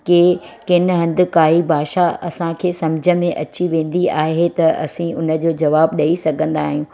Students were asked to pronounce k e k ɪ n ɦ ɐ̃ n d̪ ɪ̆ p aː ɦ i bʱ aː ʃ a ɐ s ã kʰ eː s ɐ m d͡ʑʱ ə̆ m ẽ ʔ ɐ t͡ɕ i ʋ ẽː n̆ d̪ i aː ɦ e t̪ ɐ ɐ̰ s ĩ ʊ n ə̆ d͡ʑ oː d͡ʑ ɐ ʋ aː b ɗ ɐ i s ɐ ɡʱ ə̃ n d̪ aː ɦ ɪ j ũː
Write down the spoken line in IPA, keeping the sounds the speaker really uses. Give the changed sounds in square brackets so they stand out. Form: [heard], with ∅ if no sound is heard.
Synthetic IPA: k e k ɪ n ɦ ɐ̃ n d̪ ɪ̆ [k] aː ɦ i bʱ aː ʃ a ɐ s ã kʰ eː s ɐ m d͡ʑʱ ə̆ m ẽ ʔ ɐ t͡ɕ i ʋ ẽː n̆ d̪ i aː ɦ e t̪ ɐ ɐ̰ s ĩ ʊ n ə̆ d͡ʑ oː d͡ʑ ɐ ʋ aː b ɗ ɐ i s ɐ ɡʱ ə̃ n d̪ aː ɦ [i] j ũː